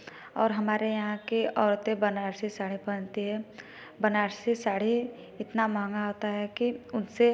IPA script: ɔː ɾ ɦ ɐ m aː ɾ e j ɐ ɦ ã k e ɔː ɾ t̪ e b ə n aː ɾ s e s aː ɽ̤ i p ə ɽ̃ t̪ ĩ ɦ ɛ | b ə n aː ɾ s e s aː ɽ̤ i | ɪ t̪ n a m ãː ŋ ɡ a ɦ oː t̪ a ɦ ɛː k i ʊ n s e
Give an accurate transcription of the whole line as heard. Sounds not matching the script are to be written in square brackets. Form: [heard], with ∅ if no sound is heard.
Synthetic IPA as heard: ɔː ɾ ɦ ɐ m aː ɾ e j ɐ ɦ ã k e ɔː ɾ t̪ e b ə n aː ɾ s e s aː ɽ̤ i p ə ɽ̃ t̪ [i] ɦ ɛ | b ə n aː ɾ s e s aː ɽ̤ i | ɪ t̪ n a m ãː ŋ ɡ a ɦ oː t̪ a ɦ [ɛ] k i ʊ n s e